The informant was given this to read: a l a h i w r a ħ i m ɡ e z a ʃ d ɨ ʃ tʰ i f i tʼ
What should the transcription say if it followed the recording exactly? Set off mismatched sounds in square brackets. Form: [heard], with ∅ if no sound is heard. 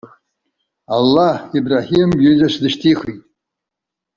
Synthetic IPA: a [lː] a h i [b] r a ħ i m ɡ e z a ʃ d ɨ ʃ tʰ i [χ] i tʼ